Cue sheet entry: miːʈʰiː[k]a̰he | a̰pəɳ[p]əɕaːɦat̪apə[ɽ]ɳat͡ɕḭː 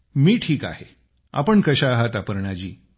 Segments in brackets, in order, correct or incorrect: correct, incorrect, incorrect

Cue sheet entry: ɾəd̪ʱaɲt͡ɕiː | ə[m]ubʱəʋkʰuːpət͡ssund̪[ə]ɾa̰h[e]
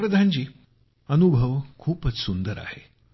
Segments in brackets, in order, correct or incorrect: incorrect, correct, correct

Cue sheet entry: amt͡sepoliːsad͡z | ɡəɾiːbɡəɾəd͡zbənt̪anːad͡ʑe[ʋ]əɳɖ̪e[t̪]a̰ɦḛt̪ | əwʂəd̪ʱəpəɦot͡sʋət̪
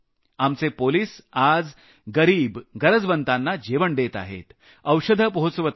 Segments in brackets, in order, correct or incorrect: correct, correct

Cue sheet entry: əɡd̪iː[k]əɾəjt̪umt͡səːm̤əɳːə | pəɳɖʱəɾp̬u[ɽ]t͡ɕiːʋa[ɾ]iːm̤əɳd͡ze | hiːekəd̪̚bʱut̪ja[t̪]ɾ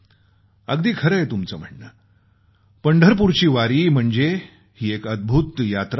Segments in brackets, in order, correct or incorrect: incorrect, incorrect, correct, correct

